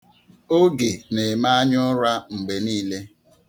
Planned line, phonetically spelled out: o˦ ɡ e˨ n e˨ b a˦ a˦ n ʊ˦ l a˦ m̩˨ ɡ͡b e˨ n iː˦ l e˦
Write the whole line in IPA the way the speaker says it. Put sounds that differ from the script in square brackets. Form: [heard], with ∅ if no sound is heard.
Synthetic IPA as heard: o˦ ɡ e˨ n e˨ [m] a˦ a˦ [ɲ] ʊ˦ [ɾ] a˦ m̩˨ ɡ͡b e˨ n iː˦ l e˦